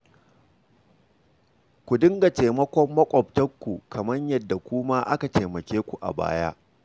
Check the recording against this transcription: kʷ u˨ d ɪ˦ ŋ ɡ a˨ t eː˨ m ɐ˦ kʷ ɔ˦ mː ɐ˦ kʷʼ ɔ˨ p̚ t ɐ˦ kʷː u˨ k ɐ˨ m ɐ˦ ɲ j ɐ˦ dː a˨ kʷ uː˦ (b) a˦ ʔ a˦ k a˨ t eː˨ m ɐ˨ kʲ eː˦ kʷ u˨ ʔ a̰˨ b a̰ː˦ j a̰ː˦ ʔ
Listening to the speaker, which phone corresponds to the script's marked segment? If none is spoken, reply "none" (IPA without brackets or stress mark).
m